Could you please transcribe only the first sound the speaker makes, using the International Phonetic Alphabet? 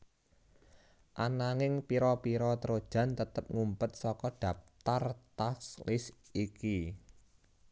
ʔ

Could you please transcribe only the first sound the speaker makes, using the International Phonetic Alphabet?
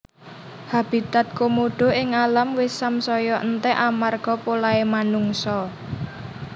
h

